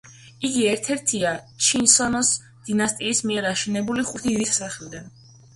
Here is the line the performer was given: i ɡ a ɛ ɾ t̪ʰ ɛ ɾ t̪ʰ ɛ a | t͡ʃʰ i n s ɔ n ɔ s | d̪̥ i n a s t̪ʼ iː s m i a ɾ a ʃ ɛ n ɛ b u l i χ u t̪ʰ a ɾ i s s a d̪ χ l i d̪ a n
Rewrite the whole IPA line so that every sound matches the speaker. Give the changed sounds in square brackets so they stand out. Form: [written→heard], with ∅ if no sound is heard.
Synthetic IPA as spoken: i ɡ [a→i] ɛ ɾ t̪ʰ ɛ ɾ t̪ʰ [ɛ→i] a | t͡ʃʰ i n s ɔ n ɔ s | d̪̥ i n a s t̪ʼ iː s m i [a→ɛ] ɾ a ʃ ɛ n ɛ b u l i χ u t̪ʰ [a→i] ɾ i s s a [d̪→∅] χ l i d̪ a n